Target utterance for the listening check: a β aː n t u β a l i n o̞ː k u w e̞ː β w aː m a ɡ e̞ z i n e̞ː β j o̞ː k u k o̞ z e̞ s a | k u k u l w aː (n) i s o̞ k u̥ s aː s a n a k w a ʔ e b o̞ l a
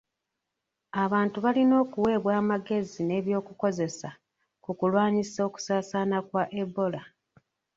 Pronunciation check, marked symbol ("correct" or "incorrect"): incorrect